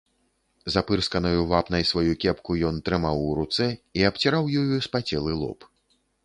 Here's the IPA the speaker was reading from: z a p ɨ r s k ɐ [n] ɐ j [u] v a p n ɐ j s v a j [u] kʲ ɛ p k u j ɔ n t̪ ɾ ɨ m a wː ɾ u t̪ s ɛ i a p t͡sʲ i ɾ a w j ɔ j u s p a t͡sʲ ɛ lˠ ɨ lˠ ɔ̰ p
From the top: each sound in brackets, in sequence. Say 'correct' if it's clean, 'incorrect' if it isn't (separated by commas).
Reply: correct, correct, correct